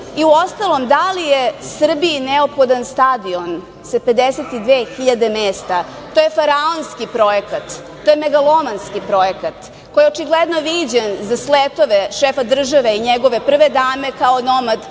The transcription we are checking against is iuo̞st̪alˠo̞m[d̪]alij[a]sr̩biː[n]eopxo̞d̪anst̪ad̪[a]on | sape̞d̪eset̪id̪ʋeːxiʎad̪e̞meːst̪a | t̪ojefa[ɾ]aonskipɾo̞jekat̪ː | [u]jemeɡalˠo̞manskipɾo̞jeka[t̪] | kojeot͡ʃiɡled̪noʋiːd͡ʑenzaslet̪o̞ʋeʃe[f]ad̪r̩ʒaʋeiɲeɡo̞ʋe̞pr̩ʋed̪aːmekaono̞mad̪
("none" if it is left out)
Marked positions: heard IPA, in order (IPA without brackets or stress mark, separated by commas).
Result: d̪, e, n, i, ɾ, o, t̪, f